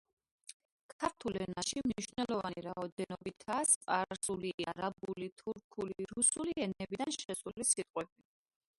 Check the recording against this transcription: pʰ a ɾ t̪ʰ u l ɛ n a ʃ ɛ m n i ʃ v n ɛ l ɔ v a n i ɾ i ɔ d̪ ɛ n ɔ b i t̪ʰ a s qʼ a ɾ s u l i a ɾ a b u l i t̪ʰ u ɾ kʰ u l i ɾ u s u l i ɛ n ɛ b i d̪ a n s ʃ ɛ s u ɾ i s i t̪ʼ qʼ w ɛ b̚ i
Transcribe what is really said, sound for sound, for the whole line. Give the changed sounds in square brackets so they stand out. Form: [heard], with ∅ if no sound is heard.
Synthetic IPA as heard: [kʰ] a ɾ t̪ʰ u l ɛ n a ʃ [i] m n i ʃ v n ɛ l ɔ v a n i ɾ [a] ɔ d̪ ɛ n ɔ b i t̪ʰ a s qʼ a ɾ s u l i a ɾ a b u l i t̪ʰ u ɾ kʰ u l i ɾ u s u l i ɛ n ɛ b i d̪ a n [ʃ] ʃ ɛ s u [l] i s i t̪ʼ qʼ w ɛ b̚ i